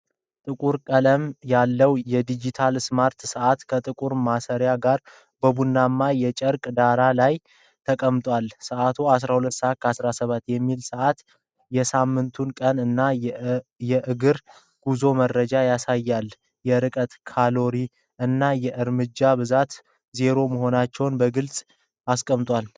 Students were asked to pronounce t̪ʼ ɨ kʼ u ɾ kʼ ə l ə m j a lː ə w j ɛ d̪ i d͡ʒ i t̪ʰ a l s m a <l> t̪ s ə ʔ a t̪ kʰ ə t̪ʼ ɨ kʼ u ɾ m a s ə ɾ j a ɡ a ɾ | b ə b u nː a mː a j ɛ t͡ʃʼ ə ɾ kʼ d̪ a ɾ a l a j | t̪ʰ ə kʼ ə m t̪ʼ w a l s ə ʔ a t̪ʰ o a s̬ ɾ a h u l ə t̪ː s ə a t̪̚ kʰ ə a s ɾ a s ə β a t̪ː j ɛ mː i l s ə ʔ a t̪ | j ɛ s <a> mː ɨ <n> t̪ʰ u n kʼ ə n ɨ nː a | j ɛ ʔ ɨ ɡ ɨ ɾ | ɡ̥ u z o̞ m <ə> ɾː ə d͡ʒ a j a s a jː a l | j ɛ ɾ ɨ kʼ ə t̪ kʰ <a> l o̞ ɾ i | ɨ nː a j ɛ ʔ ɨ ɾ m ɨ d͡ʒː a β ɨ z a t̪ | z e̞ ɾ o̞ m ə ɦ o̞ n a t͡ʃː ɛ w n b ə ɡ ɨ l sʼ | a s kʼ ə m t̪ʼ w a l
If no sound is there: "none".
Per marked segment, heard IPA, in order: ɾ, a, n, ə, a

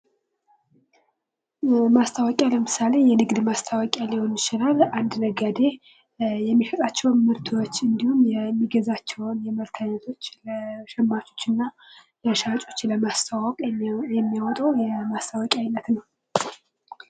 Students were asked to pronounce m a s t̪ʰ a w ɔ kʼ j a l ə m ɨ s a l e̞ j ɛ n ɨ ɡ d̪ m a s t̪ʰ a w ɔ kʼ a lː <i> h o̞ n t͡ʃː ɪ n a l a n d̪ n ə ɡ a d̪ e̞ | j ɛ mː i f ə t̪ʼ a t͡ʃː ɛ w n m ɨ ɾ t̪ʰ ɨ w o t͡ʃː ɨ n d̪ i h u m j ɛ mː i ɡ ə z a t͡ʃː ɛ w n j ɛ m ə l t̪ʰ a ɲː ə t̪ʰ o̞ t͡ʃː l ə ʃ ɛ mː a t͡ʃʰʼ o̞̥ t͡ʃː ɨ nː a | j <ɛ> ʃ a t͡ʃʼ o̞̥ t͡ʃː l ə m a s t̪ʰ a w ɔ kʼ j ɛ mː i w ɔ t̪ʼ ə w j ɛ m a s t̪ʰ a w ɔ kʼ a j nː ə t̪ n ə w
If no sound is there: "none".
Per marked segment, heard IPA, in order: i, a

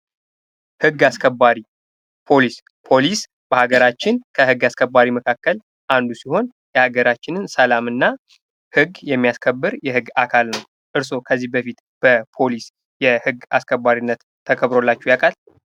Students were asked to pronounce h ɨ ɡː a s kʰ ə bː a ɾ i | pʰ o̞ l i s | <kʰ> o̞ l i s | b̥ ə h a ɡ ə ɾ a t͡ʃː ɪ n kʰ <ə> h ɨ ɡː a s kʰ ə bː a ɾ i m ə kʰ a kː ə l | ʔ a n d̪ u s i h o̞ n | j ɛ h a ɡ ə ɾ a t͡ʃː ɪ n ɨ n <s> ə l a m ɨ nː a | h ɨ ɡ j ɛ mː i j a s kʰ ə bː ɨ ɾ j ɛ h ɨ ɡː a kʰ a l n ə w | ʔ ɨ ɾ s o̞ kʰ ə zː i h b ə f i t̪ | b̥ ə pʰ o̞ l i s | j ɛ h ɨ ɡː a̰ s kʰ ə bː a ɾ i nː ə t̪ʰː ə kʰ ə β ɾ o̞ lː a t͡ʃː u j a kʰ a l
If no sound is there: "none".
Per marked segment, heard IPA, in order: pʰ, ə, s

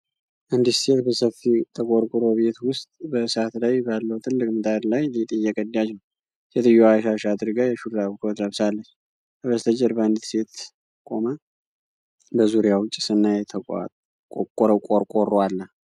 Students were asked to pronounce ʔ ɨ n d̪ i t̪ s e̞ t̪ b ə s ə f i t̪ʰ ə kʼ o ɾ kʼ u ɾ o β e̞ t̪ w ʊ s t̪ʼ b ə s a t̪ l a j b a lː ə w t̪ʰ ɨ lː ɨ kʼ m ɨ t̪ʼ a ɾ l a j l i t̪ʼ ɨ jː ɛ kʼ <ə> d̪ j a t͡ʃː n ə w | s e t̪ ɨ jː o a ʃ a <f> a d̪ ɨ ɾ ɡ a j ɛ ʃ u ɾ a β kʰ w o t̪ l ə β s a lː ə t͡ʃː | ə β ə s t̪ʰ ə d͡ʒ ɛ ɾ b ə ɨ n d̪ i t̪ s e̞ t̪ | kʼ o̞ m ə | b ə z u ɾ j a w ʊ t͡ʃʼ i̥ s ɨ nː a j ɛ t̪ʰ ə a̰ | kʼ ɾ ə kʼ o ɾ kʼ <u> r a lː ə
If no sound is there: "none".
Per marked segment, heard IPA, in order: ə, ʃ, o

